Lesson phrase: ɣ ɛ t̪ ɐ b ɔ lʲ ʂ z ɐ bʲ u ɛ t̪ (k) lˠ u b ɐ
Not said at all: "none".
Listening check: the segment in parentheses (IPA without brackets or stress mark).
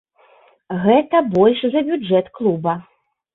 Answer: k